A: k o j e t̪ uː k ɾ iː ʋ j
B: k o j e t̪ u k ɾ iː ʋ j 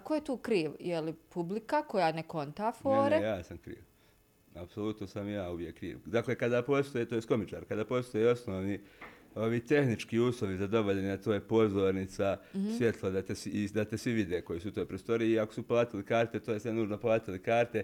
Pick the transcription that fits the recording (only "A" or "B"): A